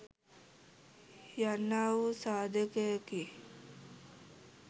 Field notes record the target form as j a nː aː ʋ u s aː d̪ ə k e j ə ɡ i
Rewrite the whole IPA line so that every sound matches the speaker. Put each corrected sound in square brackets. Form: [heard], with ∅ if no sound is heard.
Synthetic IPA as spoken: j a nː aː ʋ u s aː d̪ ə k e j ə [k] i